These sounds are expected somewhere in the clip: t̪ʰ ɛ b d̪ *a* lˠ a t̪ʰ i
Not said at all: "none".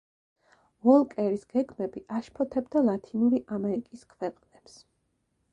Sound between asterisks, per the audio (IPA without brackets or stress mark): a